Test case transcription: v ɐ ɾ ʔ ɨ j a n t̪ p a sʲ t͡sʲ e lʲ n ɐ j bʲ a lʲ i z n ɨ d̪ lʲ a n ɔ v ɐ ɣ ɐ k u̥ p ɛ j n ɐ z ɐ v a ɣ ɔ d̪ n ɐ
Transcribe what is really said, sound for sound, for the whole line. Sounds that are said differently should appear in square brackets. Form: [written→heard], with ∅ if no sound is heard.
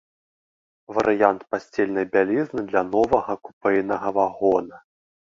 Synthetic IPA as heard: v ɐ ɾ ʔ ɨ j a n t̪ p a sʲ t͡sʲ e lʲ n ɐ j bʲ a lʲ i z n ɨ d̪ lʲ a n ɔ v ɐ ɣ ɐ k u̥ p ɛ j n ɐ [z→ɣ] ɐ v a ɣ ɔ [d̪→∅] n ɐ

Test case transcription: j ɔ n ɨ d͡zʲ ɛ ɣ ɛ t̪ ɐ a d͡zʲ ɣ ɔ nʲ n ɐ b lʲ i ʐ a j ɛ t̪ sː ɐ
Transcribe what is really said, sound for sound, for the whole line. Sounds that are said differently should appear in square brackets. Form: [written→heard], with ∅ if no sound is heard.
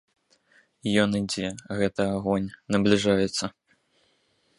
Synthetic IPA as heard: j ɔ n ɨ d͡zʲ ɛ ɣ ɛ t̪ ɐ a [d͡zʲ→∅] ɣ ɔ nʲ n ɐ b lʲ i ʐ a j ɛ t̪ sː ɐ

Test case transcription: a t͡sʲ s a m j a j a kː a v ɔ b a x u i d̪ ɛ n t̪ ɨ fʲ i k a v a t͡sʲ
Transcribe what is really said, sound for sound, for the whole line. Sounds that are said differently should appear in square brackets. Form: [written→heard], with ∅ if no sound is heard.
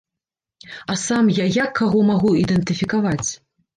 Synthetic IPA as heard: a [t͡sʲ→∅] s a m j a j a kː a [v→ɣ] ɔ [b→m] a [x→ɣ] u i d̪ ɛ n t̪ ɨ fʲ i k a v a t͡sʲ

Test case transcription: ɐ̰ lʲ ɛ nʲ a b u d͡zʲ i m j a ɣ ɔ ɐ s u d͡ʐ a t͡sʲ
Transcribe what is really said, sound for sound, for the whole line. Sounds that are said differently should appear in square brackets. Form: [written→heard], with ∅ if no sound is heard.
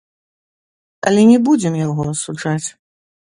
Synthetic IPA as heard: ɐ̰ lʲ ɛ nʲ [a→ɛ] b u d͡zʲ [i→ɛ] m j a ɣ ɔ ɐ s u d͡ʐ a t͡sʲ

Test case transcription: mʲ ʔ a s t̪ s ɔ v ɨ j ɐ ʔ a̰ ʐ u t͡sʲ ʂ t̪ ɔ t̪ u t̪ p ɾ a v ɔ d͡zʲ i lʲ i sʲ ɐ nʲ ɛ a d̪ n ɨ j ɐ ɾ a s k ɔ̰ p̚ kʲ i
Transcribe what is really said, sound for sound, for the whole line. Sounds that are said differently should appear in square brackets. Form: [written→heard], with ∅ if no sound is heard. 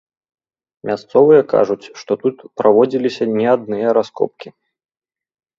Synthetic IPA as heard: mʲ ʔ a s t̪ s ɔ v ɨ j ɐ [ʔ→k] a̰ ʐ u t͡sʲ ʂ t̪ ɔ t̪ u t̪ p ɾ a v ɔ d͡zʲ i lʲ i sʲ ɐ nʲ ɛ a d̪ n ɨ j ɐ ɾ a s k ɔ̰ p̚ kʲ i

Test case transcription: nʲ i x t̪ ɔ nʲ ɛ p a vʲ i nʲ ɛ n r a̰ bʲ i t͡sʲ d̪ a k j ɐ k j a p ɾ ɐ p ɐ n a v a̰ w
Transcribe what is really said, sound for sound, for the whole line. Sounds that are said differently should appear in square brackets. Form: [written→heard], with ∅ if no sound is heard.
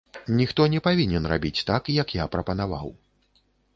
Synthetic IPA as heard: nʲ i x t̪ ɔ nʲ ɛ p a vʲ i nʲ ɛ n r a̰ bʲ i t͡sʲ [d̪→t̪] a k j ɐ k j a p ɾ ɐ p ɐ n a v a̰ w

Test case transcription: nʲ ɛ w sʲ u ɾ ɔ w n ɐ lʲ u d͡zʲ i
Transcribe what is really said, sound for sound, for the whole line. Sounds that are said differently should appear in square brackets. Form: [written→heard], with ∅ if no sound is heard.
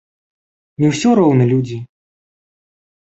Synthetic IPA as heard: nʲ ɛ w sʲ [u→ɔ] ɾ ɔ w n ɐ lʲ u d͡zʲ i

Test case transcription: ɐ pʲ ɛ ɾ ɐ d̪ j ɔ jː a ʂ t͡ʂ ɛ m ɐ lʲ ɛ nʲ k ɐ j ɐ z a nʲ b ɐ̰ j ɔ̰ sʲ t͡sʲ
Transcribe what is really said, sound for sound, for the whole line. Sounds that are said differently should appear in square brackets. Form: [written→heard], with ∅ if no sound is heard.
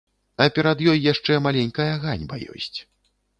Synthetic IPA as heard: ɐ pʲ ɛ ɾ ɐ d̪ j ɔ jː a ʂ t͡ʂ ɛ m [ɐ→a] lʲ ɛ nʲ k ɐ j ɐ [z→ɣ] a nʲ b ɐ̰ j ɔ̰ sʲ t͡sʲ

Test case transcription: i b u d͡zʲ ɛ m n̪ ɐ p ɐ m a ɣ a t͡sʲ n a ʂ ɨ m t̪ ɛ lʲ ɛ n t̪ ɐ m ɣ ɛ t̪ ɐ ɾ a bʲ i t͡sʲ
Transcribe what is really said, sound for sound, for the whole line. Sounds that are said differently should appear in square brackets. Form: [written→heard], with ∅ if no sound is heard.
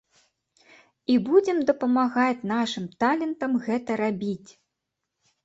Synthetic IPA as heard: i b u d͡zʲ ɛ m [n̪→d̪] ɐ p ɐ m a ɣ a t͡sʲ n a ʂ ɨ m t̪ [ɛ→a] lʲ ɛ n t̪ ɐ m ɣ ɛ t̪ ɐ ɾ a bʲ i t͡sʲ

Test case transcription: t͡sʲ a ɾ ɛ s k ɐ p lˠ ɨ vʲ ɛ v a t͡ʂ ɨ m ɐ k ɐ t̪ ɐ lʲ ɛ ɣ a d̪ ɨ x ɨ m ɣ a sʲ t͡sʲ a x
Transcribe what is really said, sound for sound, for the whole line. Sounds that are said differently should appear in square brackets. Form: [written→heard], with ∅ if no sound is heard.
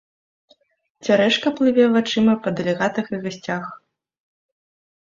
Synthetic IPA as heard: t͡sʲ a ɾ ɛ [s→ʂ] k ɐ p lˠ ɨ vʲ ɛ v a t͡ʂ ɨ m ɐ [k→p] ɐ [t̪→d̪] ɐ lʲ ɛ ɣ a [d̪→t̪] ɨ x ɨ [m→∅] ɣ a sʲ t͡sʲ a x

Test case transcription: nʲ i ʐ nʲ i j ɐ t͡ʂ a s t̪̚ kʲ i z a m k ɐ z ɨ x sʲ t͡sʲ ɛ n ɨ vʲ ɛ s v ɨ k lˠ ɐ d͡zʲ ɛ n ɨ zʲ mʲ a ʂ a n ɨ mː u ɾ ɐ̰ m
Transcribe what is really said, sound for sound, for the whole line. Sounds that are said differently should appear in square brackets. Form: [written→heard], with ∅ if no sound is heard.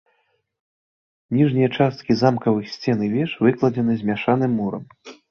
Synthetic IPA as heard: nʲ i ʐ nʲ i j ɐ t͡ʂ a s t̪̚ kʲ i z a m k ɐ [z→v] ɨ x sʲ t͡sʲ ɛ n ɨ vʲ ɛ [s→ʂ] v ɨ k lˠ ɐ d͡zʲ ɛ n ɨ zʲ mʲ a ʂ a n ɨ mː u ɾ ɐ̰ m

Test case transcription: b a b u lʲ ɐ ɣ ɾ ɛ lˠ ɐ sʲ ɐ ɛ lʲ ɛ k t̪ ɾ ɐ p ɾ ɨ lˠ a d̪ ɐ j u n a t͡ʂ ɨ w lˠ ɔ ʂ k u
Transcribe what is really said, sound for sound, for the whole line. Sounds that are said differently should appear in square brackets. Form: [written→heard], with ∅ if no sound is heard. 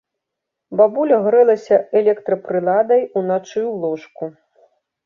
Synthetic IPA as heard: b a b u lʲ ɐ ɣ ɾ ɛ lˠ ɐ sʲ ɐ ɛ lʲ ɛ k t̪ ɾ ɐ p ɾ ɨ lˠ a d̪ ɐ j u n a t͡ʂ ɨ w lˠ ɔ ʂ k u

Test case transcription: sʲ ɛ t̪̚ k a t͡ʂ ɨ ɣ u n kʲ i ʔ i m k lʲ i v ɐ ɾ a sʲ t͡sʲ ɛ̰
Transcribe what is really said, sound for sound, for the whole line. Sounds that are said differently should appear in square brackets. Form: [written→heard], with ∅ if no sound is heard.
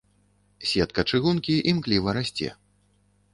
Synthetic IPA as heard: sʲ ɛ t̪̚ k [a→ɐ] t͡ʂ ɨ ɣ u n kʲ i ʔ i m k lʲ i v ɐ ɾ a sʲ t͡sʲ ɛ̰

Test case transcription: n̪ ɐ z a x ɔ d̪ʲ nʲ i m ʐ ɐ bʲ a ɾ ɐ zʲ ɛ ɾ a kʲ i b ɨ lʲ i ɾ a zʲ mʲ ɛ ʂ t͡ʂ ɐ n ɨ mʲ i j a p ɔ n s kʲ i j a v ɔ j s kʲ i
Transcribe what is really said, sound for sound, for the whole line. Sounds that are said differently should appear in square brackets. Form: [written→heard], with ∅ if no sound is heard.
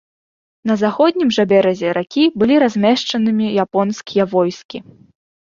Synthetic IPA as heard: n̪ ɐ z a x ɔ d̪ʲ nʲ i m ʐ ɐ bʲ [a→ɛ] ɾ ɐ zʲ ɛ ɾ a kʲ i b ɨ lʲ i ɾ a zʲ mʲ ɛ ʂ t͡ʂ ɐ n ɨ mʲ i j a p ɔ n s kʲ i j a v ɔ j s kʲ i

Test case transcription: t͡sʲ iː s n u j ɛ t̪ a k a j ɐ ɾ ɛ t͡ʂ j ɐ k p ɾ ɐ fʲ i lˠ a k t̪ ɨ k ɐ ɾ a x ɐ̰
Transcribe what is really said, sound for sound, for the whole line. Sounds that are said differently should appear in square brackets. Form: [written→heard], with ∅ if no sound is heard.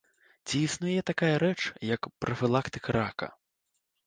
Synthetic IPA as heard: t͡sʲ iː s n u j ɛ t̪ a k a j ɐ ɾ ɛ t͡ʂ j ɐ k p ɾ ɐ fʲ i lˠ a k t̪ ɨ k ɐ ɾ a [x→k] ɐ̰

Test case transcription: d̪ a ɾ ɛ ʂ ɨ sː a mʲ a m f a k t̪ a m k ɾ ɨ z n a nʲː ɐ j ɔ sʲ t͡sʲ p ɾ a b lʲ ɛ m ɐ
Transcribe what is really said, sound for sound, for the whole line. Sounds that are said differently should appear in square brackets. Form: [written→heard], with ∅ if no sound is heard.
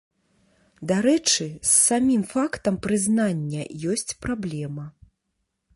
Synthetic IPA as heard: d̪ a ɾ ɛ [ʂ→t͡ʂ] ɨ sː a mʲ [a→i] m f a k t̪ [a→ɐ] m [k→p] ɾ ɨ z n a nʲː ɐ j ɔ sʲ t͡sʲ p ɾ a b lʲ ɛ m ɐ

